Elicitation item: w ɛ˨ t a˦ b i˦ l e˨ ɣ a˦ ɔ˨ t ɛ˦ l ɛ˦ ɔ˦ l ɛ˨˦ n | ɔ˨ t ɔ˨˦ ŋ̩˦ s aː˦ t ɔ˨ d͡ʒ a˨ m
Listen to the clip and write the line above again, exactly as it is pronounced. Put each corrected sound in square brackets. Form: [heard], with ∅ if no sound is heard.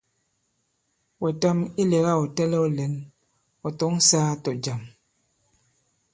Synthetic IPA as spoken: w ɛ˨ t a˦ [m] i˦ l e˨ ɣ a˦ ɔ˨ t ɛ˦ l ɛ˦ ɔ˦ l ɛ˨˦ n | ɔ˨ t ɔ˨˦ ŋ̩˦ s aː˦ t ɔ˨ d͡ʒ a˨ m